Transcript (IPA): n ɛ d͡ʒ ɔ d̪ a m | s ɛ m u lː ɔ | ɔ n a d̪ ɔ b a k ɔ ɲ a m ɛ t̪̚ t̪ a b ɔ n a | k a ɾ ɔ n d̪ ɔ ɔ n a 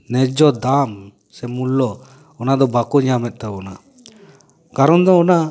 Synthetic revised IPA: n ɛ d͡ʒ ɔ d̪ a m | s ɛ m u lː ɔ | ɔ n a d̪ ɔ b a k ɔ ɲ a m ɛ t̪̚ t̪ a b ɔ n a | k a ɾ ɔ n d̪ ɔ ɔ n a